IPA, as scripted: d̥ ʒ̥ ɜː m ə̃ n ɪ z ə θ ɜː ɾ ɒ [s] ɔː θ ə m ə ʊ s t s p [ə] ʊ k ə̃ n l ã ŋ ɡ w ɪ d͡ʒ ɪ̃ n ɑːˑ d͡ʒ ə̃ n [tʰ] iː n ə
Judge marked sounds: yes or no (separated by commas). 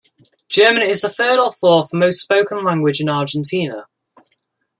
no, yes, yes